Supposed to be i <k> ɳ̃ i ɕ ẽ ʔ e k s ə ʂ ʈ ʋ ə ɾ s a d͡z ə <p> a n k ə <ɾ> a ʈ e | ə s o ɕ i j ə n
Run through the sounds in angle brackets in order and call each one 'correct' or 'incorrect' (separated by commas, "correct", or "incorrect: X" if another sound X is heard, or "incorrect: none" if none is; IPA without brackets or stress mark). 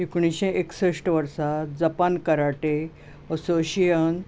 correct, correct, correct